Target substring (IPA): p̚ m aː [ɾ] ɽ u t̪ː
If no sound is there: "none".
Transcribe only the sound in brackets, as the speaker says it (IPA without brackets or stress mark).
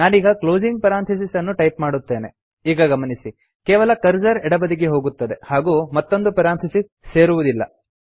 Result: none